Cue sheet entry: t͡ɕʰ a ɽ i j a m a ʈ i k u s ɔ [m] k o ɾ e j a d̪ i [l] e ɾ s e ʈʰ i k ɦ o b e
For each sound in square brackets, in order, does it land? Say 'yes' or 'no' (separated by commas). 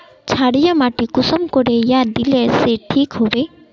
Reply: yes, yes